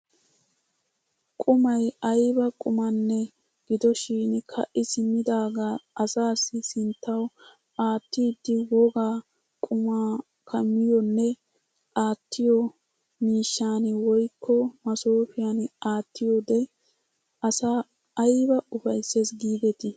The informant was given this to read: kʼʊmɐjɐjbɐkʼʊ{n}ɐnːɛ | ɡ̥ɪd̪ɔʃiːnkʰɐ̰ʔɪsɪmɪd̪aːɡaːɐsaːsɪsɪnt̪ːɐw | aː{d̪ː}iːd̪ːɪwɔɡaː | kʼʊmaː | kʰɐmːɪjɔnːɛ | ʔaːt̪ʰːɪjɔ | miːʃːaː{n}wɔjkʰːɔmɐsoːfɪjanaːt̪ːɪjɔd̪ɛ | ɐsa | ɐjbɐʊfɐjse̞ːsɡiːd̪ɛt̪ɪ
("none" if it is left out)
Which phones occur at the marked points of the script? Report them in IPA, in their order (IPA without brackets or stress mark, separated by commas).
m, t̪ː, n